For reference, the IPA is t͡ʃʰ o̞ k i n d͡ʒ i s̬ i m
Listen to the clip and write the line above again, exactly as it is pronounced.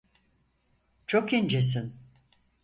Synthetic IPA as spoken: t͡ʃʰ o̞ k i n d͡ʒ e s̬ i n